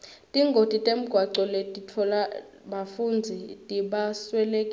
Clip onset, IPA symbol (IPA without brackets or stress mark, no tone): tʼ